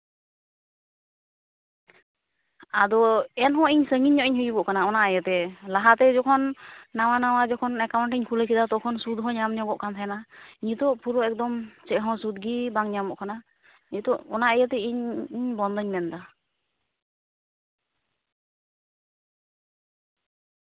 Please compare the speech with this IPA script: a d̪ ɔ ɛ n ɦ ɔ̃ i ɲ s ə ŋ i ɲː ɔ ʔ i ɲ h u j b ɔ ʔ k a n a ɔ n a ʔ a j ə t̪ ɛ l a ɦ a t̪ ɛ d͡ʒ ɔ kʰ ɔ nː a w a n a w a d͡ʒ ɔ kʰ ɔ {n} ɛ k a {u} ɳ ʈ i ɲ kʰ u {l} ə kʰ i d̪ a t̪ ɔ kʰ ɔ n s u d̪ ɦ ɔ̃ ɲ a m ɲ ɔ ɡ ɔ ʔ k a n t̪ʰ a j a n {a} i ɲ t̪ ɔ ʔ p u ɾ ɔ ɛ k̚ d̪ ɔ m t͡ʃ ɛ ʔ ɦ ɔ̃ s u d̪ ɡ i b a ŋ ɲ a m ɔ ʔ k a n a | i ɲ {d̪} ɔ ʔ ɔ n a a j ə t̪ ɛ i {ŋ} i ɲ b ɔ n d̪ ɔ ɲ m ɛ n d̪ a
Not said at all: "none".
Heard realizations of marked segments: n, w, l, a, t̪, ɲ

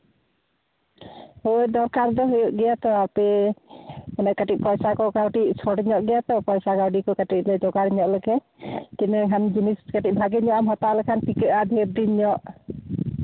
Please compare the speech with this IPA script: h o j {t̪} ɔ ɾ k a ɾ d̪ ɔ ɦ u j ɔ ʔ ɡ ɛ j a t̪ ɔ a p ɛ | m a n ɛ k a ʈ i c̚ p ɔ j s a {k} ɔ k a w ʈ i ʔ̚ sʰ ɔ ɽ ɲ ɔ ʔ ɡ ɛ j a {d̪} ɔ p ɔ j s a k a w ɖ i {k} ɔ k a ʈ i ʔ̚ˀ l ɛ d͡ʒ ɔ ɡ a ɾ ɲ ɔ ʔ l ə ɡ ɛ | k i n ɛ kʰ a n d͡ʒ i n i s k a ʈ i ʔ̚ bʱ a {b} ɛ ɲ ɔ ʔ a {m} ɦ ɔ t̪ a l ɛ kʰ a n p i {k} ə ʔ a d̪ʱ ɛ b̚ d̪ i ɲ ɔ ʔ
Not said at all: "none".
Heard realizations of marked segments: d̪, k, t̪, k, ɡ, m, k

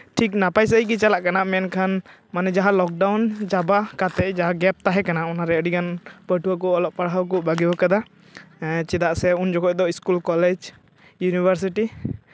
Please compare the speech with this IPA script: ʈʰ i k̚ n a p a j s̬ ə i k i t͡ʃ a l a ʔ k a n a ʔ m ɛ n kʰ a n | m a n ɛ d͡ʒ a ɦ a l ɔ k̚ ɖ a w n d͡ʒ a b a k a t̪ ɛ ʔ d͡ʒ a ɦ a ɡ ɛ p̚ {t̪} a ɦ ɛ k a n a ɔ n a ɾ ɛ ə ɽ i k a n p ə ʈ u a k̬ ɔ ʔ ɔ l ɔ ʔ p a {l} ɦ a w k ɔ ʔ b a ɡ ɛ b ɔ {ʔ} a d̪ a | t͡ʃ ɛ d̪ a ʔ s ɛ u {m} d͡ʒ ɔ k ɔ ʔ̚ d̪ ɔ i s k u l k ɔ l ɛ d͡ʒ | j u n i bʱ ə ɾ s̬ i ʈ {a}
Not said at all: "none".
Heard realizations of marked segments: t̪, ɽ, k, n, i

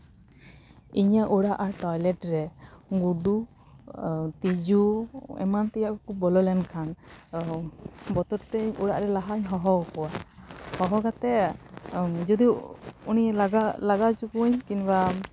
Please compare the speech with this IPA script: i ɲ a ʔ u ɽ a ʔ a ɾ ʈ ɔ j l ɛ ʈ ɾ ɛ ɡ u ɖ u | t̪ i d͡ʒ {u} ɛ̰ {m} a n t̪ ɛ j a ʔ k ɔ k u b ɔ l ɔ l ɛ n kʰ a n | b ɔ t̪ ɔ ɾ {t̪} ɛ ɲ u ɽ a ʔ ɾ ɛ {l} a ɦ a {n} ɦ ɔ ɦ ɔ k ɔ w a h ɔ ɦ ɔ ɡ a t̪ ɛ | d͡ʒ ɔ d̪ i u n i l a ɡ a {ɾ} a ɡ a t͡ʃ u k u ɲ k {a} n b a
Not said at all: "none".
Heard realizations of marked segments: u, m, t̪, l, ɲ, l, i

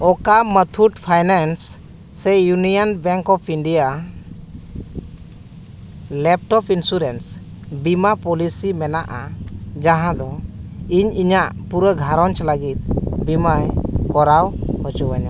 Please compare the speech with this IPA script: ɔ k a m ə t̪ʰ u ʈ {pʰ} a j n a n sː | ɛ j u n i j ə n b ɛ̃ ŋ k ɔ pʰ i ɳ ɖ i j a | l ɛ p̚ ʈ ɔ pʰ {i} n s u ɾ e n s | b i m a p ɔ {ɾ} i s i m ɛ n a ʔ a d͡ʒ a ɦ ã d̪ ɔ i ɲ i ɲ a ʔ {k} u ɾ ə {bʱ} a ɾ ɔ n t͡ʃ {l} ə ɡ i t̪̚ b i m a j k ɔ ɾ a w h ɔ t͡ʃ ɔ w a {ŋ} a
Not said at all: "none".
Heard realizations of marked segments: pʰ, i, l, p, ɡʱ, l, ɲ

